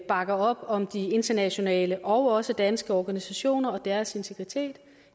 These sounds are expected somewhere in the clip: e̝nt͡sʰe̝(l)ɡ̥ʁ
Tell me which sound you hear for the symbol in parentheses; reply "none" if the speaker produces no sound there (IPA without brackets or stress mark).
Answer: none